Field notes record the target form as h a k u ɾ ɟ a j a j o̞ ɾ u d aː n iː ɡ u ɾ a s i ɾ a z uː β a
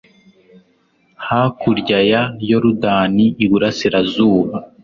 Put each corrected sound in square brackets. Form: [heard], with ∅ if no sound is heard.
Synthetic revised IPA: h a k u ɾ ɟ a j a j o̞ ɾ u d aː n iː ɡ u ɾ a s i ɾ a z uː β a